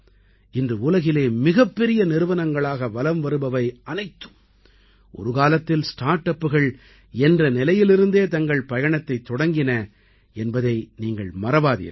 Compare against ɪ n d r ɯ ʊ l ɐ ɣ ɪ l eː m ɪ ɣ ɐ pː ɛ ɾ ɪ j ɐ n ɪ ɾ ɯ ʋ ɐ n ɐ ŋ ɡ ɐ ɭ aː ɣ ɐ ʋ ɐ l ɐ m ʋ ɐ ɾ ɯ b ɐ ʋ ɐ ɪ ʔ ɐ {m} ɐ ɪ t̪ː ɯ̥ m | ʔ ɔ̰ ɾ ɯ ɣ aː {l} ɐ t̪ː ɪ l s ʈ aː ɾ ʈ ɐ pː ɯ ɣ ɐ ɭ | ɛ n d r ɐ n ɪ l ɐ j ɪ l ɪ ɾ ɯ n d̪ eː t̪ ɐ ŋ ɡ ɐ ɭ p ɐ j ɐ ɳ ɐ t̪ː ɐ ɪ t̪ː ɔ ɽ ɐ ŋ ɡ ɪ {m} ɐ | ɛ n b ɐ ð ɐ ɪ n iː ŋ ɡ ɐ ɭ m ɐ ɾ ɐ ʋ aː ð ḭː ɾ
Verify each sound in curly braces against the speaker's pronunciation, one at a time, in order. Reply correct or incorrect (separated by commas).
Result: incorrect, correct, incorrect